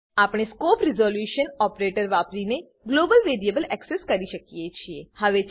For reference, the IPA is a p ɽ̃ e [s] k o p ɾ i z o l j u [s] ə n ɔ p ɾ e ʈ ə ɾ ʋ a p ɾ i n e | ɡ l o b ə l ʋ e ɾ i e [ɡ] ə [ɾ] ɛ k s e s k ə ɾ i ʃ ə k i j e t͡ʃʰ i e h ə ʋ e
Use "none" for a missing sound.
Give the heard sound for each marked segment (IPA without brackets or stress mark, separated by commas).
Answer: s, ʃ, b, l